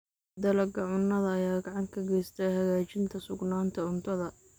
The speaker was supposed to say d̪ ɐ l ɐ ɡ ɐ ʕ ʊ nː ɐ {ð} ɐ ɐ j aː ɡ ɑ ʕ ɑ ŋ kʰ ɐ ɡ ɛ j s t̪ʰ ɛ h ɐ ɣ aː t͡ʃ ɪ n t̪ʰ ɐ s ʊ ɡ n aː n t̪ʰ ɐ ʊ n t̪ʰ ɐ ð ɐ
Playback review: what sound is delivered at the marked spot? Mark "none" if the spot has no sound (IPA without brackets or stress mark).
ð